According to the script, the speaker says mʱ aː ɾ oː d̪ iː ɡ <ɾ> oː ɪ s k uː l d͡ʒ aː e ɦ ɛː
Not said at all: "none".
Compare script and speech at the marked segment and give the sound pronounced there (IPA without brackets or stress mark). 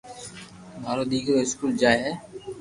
ɾ